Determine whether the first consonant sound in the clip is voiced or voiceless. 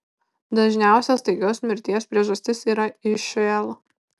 voiced